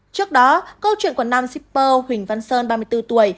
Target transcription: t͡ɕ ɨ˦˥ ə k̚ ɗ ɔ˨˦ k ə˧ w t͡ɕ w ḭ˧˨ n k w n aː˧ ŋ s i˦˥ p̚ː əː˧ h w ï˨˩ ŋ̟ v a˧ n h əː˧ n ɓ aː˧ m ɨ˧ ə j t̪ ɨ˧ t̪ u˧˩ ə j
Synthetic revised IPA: t͡ɕ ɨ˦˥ ə k̚ ɗ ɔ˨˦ k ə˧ w t͡ɕ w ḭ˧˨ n k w n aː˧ m s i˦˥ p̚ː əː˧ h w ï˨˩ ŋ̟ v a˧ n s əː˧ n ɓ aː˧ m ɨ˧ ə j t̪ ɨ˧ t̪ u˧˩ ə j